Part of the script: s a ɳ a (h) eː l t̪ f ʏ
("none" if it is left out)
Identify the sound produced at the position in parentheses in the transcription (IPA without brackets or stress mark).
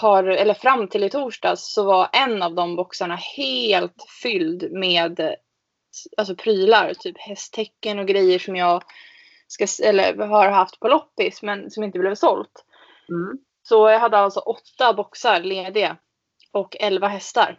h